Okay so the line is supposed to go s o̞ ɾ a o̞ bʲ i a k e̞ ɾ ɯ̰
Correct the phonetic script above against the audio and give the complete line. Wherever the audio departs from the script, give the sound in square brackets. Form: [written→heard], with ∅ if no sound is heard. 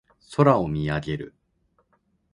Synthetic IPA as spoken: s o̞ ɾ a o̞ [bʲ→mʲ] i a [k→ɡ] e̞ ɾ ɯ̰